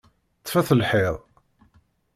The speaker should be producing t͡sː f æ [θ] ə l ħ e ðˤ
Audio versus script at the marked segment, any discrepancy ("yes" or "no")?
no